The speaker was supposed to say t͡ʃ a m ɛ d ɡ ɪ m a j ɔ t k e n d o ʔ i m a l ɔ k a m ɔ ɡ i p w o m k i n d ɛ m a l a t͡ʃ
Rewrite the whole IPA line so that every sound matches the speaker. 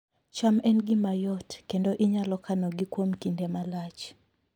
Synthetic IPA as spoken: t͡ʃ a m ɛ n ɡ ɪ m a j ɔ t k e n d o ʔ i ɲ a l ɔ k a n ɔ ɡ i k w o m k i n d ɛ m a l a t͡ʃ